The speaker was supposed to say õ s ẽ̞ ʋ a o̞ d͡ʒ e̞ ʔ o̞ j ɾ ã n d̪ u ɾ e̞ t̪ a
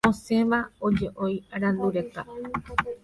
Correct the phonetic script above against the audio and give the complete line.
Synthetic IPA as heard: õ s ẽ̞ ʋ a o̞ d͡ʒ e̞ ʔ o̞ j ɾ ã n d̪ u ɾ e̞ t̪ a